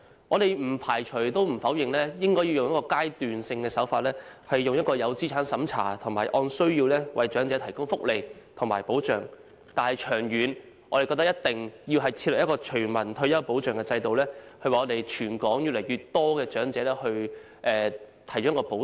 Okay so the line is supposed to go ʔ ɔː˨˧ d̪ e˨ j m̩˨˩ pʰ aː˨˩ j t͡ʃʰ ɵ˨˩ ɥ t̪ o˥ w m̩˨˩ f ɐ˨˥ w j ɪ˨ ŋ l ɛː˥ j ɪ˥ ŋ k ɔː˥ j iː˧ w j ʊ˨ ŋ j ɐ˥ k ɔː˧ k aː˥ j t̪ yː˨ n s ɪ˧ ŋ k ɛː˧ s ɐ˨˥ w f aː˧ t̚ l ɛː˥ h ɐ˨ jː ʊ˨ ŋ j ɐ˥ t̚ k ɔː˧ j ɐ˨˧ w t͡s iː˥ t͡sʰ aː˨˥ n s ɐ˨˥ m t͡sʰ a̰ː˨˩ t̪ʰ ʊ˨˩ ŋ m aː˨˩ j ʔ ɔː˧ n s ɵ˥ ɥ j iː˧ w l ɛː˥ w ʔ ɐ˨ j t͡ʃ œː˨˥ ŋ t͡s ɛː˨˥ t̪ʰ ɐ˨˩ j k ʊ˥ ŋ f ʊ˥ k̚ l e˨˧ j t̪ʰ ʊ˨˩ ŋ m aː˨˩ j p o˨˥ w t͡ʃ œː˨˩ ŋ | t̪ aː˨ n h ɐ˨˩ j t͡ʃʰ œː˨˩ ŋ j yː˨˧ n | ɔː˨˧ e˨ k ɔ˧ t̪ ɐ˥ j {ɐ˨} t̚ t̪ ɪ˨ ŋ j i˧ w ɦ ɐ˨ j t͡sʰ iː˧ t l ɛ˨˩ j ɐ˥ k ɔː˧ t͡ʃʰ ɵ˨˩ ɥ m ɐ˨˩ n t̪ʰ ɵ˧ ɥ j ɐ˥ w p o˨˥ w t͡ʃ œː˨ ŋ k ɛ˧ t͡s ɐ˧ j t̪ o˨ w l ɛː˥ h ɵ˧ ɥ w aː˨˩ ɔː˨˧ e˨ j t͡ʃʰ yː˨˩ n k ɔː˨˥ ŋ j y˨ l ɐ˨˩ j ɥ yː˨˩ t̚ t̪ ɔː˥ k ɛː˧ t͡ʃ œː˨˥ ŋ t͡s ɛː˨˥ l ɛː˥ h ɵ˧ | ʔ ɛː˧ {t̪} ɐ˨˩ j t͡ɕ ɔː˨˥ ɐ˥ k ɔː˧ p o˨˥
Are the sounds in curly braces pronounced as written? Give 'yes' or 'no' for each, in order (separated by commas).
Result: no, no